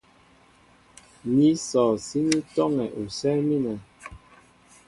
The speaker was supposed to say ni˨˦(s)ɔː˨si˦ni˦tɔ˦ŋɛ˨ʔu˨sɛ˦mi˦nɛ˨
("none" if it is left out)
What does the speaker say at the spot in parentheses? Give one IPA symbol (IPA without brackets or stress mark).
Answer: s